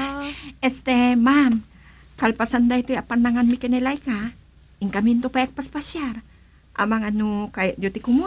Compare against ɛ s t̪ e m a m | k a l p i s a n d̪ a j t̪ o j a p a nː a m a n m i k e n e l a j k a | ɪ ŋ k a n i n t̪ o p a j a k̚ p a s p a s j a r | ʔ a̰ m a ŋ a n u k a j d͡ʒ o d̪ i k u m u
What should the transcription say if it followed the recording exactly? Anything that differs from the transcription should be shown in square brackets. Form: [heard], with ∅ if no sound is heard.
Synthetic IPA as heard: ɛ s t̪ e m a m | k a l p [a] s a n d̪ a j t̪ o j a p a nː a [ŋ] a n m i k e n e l a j k a | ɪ ŋ k a [m] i n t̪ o p a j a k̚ p a s p a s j a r | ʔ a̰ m a ŋ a n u k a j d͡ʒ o [t̪] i k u m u